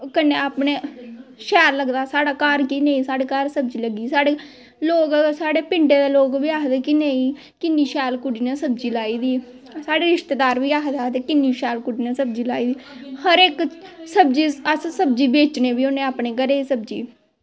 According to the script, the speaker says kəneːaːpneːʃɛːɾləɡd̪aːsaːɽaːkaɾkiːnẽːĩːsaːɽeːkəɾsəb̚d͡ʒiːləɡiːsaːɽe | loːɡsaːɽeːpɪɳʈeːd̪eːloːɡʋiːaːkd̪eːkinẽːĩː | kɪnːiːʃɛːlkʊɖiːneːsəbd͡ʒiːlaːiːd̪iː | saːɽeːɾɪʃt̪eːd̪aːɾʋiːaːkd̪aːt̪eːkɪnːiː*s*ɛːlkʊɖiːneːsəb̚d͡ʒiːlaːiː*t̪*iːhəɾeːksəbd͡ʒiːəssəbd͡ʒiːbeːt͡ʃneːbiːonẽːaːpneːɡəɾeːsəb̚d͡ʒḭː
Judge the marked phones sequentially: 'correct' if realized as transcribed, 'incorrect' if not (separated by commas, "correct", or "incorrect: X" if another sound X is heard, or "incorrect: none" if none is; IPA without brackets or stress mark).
incorrect: ʃ, incorrect: d̪